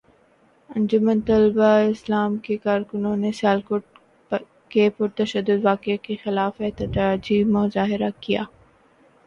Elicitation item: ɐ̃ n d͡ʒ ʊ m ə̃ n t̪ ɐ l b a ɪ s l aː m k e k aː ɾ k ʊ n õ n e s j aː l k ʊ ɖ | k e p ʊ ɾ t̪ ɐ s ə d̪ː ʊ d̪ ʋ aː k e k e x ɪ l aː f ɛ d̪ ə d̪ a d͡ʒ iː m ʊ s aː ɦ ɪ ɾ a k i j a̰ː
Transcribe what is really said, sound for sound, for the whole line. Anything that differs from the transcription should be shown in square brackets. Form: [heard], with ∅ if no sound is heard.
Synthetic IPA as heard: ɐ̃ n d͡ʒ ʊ m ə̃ n t̪ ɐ l b a ɪ s l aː m k e k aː ɾ k ʊ n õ n e s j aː l k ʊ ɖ | k e p ʊ ɾ t̪ ɐ [ʃ] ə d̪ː ʊ d̪ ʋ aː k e k e x ɪ l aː f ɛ [t̪] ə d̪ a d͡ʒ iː m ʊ [z] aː ɦ ɪ ɾ a k i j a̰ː